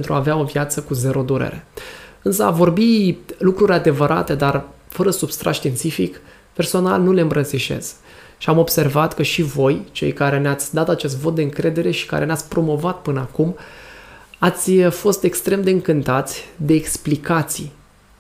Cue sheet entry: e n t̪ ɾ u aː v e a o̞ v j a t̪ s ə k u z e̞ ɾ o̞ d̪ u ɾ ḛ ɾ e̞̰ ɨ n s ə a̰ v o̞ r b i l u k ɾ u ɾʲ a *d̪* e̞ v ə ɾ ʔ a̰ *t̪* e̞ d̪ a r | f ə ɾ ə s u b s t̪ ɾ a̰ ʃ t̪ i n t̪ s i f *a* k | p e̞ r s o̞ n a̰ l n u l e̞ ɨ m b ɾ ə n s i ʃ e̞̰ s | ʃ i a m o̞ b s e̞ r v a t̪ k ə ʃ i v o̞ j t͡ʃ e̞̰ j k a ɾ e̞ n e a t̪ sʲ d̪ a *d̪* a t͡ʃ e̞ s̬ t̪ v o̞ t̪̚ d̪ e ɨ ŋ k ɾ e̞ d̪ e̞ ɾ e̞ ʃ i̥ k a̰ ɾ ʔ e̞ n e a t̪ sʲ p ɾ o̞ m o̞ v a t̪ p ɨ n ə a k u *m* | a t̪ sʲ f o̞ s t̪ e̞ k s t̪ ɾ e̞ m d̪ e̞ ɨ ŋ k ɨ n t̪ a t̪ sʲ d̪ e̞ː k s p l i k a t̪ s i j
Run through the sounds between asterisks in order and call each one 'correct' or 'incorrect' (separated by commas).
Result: correct, correct, incorrect, incorrect, correct